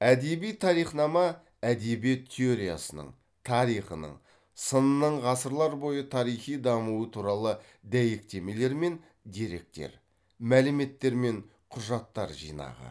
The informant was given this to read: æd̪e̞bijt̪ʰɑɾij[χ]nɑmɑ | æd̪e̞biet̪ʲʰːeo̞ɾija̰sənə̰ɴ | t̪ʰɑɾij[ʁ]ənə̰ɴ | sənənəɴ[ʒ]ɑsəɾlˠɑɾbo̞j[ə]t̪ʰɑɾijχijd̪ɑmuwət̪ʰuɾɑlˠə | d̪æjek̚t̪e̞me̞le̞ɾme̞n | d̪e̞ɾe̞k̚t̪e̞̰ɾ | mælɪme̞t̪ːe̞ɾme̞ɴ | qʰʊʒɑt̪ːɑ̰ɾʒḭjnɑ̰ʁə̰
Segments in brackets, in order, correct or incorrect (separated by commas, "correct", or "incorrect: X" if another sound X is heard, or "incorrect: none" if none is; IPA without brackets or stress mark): correct, incorrect: χ, incorrect: ʁ, correct